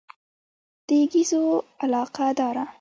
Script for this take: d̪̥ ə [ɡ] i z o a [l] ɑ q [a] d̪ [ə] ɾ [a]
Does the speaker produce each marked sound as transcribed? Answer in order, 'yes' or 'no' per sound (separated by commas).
yes, yes, yes, no, yes